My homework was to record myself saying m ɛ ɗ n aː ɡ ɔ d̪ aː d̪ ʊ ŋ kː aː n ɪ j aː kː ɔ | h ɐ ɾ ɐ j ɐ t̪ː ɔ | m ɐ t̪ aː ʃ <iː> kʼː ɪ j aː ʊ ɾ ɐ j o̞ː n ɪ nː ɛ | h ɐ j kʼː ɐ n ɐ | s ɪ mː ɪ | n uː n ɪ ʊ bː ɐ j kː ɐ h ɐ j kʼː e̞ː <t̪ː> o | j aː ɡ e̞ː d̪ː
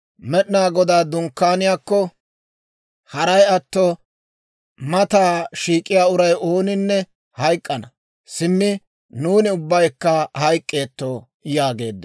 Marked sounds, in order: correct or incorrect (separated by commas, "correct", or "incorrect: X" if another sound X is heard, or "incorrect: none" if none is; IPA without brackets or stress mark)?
correct, correct